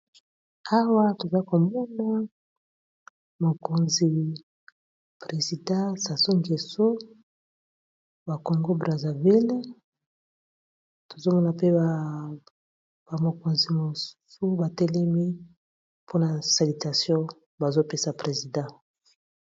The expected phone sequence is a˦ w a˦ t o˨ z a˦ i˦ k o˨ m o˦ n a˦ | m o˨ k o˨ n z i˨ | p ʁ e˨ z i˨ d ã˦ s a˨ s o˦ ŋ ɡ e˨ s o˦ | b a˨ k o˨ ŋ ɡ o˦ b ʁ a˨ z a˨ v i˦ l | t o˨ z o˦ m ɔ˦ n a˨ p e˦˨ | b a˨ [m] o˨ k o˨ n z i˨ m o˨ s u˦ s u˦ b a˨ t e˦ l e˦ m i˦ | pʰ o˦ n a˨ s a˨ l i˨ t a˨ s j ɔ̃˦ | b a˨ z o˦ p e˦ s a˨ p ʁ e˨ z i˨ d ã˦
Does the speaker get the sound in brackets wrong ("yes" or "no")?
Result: no